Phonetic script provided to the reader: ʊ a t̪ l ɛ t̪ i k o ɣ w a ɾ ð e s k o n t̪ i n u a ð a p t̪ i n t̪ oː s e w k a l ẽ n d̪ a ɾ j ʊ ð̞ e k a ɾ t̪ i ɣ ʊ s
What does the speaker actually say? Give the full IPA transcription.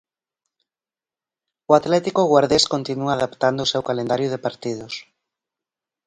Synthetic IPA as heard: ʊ a t̪ l ɛ t̪ i k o ɣ w a ɾ ð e s k o n t̪ i n u a ð a p t̪ a n d̪ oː s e w k a l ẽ n d̪ a ɾ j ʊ ð̞ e p a ɾ t̪ i ð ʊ s